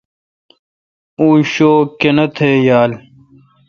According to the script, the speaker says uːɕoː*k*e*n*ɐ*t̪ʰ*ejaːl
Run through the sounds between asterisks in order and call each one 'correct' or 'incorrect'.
correct, correct, correct

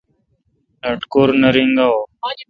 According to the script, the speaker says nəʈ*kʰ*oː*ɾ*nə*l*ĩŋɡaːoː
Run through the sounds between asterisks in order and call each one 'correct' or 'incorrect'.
incorrect, correct, incorrect

